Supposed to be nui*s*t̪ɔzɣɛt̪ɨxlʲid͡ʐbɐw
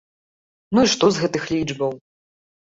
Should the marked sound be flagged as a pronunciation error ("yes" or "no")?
yes